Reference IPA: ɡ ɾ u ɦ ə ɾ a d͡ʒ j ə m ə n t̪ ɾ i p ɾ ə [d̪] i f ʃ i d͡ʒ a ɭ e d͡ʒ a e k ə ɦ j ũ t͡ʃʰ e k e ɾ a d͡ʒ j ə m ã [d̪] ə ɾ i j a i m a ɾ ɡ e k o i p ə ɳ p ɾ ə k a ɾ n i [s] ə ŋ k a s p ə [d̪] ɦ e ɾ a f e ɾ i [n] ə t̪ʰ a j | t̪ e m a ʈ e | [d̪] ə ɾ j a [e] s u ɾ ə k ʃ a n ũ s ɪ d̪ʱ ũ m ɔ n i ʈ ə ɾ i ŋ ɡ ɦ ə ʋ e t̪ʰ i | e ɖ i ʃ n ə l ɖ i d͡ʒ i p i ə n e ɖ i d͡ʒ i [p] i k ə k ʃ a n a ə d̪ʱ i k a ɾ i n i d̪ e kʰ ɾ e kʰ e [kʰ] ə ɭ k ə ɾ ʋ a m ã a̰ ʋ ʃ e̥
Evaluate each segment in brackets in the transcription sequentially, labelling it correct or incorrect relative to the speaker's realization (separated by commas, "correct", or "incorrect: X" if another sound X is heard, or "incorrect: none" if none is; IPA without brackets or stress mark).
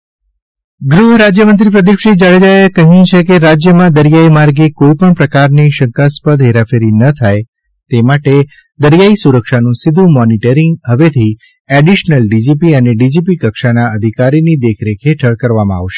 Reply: correct, correct, incorrect: ʃ, correct, correct, correct, incorrect: i, correct, incorrect: ʈʰ